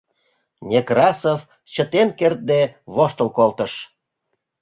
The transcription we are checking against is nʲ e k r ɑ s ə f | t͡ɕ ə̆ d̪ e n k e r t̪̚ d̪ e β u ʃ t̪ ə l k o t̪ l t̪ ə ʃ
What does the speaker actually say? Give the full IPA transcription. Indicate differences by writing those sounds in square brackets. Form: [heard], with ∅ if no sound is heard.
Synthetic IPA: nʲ e k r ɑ s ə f | t͡ɕ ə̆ [t̪] e n k e r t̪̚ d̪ e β [o] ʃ t̪ ə l k o [∅] l t̪ ə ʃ